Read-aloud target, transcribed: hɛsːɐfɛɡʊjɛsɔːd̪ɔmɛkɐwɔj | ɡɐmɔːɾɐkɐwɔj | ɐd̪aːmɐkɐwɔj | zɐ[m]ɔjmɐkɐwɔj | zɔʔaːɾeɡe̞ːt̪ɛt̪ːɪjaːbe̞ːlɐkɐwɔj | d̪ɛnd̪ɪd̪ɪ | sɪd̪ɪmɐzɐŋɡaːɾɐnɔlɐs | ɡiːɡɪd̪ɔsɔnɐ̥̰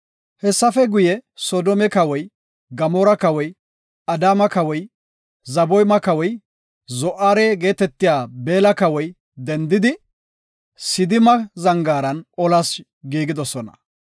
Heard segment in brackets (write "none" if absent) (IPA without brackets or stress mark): b